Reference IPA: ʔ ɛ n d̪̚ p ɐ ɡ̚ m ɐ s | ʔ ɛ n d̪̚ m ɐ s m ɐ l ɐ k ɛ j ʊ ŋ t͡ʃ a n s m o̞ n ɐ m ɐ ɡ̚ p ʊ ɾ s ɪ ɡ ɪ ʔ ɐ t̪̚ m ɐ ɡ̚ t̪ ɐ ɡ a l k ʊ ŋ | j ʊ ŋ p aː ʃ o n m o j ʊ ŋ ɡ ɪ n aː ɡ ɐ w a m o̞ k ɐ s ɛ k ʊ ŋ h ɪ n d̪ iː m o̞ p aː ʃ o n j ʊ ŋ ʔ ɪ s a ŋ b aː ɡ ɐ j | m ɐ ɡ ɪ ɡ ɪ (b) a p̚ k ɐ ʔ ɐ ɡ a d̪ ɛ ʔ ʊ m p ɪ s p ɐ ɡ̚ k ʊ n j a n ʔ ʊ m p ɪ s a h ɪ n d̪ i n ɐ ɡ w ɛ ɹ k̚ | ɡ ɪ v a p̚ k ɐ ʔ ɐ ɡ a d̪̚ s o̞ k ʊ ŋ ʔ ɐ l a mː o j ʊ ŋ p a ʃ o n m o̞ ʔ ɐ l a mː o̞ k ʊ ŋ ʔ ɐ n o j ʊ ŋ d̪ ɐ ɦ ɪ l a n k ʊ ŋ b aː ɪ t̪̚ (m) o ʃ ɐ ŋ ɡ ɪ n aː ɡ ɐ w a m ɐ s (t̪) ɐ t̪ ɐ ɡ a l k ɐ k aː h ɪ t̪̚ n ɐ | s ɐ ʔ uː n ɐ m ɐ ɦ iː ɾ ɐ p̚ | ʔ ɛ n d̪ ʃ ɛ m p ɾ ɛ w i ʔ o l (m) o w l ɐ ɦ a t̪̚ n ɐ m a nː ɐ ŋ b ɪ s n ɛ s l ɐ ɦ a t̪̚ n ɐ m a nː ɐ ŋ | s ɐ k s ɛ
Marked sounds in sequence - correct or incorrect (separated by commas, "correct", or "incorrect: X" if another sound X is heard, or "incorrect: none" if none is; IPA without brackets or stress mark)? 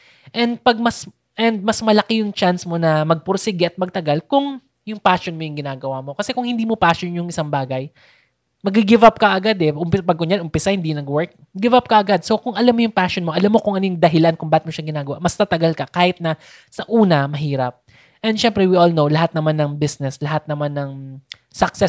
incorrect: v, correct, correct, incorrect: n